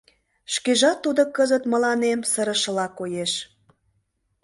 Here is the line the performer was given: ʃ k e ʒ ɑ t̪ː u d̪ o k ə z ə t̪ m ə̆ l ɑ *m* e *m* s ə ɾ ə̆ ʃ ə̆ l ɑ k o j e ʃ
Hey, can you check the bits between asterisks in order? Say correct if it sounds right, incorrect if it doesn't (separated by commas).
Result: incorrect, correct